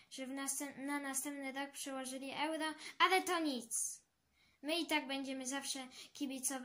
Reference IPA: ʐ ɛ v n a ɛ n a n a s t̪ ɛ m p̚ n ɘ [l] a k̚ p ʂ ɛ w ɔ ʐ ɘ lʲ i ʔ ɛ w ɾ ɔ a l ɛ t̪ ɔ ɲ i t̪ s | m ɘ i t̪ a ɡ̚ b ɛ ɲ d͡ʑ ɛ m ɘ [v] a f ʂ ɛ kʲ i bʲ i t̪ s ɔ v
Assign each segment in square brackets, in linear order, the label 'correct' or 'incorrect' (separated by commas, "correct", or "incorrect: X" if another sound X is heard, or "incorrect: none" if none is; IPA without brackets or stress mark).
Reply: incorrect: ɾ, incorrect: z